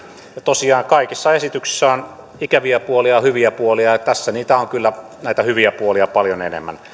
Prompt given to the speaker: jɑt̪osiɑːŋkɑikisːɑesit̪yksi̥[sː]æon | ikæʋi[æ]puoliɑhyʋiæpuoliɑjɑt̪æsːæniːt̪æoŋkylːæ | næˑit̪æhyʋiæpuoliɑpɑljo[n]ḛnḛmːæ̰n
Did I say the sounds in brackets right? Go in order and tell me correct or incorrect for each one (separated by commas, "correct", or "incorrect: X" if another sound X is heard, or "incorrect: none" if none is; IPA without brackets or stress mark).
correct, correct, correct